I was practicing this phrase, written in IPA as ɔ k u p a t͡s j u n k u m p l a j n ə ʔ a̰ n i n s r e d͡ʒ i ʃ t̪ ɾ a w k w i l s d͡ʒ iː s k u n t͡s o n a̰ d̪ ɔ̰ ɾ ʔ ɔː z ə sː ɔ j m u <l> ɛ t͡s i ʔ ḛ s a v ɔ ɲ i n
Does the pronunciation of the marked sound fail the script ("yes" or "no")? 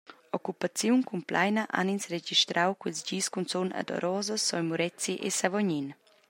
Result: yes